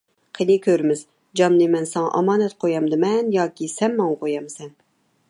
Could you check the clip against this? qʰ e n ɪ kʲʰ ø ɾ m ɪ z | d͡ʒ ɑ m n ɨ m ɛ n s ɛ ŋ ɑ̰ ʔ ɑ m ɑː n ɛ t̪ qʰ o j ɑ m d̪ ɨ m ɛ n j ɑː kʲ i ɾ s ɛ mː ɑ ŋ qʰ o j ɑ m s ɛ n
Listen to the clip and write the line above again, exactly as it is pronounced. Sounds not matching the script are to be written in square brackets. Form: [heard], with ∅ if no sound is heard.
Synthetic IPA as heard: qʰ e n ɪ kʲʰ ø ɾ m ɪ z | d͡ʒ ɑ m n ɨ m ɛ n s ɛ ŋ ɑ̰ ʔ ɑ m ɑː n ɛ t̪ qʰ o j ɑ m d̪ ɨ m ɛ n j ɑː kʲ i [∅] s ɛ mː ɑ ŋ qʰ o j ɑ m s ɛ n

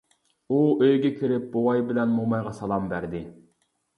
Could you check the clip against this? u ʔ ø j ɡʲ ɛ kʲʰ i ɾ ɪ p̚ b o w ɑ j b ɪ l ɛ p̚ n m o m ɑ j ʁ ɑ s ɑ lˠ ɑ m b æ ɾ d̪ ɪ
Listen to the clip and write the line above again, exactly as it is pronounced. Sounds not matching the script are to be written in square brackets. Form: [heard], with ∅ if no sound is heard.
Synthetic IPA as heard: u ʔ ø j ɡʲ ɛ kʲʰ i ɾ ɪ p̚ b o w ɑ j b ɪ l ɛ [∅] n m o m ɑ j ʁ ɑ s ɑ lˠ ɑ m b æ ɾ d̪ ɪ

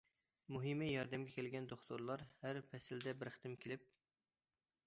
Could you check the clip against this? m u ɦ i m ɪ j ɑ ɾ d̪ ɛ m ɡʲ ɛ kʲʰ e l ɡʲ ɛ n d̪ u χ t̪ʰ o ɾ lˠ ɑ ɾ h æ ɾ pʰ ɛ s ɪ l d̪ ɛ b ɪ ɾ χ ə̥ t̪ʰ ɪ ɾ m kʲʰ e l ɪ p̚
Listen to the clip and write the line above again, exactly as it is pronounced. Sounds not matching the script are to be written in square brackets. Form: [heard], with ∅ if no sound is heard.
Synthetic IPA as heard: m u ɦ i m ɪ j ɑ ɾ d̪ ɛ m ɡʲ ɛ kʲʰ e l ɡʲ ɛ n d̪ [o] χ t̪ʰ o ɾ lˠ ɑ ɾ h æ ɾ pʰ ɛ s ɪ l d̪ ɛ b ɪ ɾ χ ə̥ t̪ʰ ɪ [∅] m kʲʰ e l ɪ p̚

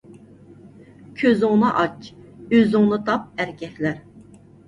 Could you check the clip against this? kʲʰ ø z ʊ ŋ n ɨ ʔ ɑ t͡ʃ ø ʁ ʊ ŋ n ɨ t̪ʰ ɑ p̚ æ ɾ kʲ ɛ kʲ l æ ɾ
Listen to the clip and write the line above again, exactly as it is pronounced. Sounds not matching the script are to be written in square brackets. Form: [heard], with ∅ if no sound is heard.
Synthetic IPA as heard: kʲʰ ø z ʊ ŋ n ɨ ʔ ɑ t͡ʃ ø [z] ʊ ŋ n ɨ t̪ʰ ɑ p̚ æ ɾ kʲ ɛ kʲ l æ ɾ

